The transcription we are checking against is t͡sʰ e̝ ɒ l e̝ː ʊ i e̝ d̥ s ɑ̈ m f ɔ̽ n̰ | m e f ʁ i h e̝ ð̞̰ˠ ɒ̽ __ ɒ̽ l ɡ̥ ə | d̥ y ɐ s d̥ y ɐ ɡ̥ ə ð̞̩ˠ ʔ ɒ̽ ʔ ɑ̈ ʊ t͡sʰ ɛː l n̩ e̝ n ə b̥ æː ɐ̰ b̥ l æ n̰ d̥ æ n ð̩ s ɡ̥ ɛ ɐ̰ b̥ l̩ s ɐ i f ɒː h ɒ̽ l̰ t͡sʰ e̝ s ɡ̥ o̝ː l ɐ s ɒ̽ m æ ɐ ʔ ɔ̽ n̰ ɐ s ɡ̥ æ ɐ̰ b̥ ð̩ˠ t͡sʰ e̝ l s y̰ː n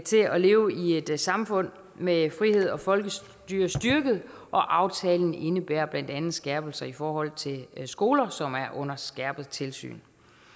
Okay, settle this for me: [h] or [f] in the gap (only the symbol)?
f